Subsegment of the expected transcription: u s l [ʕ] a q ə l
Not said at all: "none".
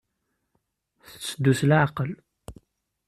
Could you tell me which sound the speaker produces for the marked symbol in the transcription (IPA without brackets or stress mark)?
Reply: ʕ